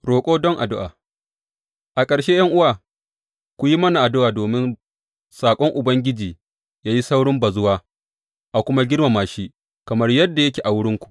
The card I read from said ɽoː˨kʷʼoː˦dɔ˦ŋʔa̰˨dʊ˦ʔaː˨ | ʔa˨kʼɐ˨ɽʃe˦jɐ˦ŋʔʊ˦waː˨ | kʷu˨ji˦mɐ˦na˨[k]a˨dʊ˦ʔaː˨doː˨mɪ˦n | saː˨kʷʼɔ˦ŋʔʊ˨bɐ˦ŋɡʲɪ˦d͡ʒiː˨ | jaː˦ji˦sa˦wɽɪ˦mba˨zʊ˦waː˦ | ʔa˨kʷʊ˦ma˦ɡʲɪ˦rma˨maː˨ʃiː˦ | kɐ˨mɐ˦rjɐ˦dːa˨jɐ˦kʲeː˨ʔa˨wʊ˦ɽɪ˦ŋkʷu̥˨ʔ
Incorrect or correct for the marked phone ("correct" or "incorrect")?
incorrect